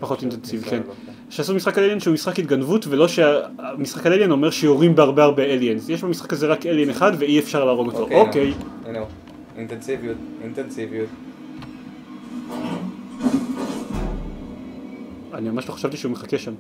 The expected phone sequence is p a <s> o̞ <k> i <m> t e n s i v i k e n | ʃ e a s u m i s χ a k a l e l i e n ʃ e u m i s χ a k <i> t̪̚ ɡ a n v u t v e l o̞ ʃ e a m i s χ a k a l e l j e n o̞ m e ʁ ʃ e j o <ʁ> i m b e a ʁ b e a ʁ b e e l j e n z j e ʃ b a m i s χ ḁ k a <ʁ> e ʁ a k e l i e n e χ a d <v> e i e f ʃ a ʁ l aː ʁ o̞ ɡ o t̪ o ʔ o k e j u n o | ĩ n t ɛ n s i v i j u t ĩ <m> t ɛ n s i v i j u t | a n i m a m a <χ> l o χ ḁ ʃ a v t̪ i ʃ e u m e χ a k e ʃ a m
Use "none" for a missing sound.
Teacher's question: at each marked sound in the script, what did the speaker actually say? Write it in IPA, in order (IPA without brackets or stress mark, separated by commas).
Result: χ, t, n, i, ʁ, z, v, n, ʃ